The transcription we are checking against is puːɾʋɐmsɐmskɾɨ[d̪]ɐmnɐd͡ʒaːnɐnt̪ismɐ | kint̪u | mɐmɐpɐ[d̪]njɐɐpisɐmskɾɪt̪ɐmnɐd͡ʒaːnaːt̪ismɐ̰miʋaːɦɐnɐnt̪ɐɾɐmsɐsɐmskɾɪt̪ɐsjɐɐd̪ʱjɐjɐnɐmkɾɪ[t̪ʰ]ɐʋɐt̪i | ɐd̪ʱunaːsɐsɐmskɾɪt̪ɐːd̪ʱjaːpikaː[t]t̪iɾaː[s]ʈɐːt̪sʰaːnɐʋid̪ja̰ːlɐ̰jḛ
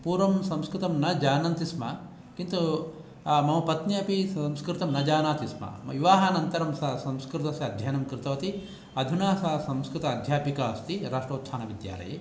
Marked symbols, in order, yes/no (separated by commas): no, no, no, no, no